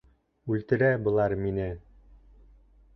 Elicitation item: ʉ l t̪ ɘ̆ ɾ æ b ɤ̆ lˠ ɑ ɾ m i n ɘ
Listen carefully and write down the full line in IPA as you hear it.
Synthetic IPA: ʉ l t̪ ɘ̆ ɾ æ b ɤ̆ lˠ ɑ ɾ m i n ɘ